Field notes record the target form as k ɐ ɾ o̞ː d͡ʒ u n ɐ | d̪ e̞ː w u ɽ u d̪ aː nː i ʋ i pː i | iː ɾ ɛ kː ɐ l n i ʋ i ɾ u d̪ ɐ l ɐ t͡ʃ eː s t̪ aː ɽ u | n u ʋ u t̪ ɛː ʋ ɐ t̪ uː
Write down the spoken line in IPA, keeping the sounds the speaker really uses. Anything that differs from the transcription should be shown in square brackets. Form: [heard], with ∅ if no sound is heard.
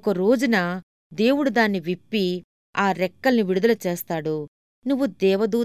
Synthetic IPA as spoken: k ɐ ɾ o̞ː d͡ʒ u n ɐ | d̪ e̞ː w u ɽ u d̪ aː nː i ʋ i pː i | [aː] ɾ ɛ kː ɐ l n i ʋ i [ɽ] u d̪ ɐ l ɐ t͡ʃ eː s t̪ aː ɽ u | n u [ʋː] u [d̪] ɛː ʋ ɐ [d̪] uː